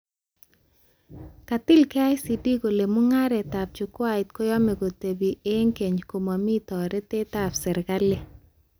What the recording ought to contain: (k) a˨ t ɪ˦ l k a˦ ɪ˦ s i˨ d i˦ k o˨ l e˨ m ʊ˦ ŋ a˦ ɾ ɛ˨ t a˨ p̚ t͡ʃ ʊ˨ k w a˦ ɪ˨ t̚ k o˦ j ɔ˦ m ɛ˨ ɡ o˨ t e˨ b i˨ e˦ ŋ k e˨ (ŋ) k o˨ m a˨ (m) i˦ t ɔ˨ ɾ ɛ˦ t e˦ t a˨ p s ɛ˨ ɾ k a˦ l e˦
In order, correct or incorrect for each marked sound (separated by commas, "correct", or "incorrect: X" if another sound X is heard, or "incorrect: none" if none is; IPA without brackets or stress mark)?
correct, incorrect: ɲ, correct